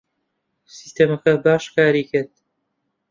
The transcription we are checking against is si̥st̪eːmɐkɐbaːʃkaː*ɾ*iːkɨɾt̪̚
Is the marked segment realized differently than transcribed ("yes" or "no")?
no